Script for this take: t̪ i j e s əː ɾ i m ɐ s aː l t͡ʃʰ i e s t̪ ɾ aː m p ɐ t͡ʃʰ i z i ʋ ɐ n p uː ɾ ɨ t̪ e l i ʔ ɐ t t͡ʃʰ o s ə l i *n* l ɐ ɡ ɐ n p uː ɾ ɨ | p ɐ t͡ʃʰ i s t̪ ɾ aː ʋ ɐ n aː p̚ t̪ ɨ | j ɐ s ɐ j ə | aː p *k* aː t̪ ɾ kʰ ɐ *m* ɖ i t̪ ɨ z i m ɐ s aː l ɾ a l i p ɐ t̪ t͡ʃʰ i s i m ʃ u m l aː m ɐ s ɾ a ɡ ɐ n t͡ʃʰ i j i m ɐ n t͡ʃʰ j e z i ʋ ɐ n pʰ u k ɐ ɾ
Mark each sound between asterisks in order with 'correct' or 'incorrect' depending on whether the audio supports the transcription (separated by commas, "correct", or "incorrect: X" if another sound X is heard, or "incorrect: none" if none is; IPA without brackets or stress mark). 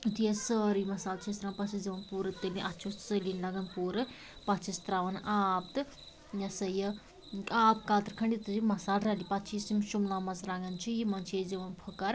correct, correct, incorrect: ɳ